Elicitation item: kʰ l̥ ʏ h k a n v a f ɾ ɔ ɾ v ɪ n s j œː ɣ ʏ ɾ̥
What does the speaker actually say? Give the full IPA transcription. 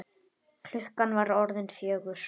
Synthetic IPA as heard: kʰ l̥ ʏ h k a n v a ɾ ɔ ɾ ð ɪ n f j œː ɣ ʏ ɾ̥

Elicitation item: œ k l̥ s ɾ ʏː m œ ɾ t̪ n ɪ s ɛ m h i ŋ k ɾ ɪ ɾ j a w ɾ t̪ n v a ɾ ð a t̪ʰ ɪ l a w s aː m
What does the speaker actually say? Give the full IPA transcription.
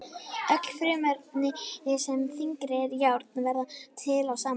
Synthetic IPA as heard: œ k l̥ f ɾ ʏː m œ ɾ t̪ n ɪ s ɛ m θ i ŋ k ɾ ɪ ɾ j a w ɾ t̪ n v ɛ ɾ ð a t̪ʰ ɪ l a w s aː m

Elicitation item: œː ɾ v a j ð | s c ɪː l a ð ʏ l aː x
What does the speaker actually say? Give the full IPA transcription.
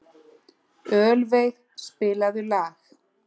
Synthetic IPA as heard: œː l v e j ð | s p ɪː l a ð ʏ l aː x

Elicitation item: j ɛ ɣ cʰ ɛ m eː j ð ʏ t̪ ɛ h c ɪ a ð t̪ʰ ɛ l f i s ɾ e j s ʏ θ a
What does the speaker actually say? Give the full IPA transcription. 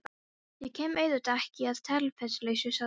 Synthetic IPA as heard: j ɛ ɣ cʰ ɛː m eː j ð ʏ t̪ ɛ h c ɪ a ð t̪ʰ ɛ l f ɛ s l e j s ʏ s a

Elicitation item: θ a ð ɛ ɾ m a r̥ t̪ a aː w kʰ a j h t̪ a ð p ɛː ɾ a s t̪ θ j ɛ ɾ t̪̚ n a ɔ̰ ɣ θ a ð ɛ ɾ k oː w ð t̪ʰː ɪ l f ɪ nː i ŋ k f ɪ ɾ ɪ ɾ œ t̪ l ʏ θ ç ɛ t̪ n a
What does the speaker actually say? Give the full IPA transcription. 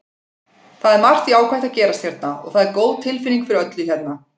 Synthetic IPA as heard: θ a ð ɛ ɾ m a r̥ t̪ i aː w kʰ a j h t̪ a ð c ɛː ɾ a s t̪ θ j ɛ ɾ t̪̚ n a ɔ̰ ɣ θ a ð ɛ ɾ k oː w ð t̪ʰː ɪ l f ɪ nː i ŋ k f ɪ ɾ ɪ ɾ œ t̪ l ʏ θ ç ɛ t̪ n a

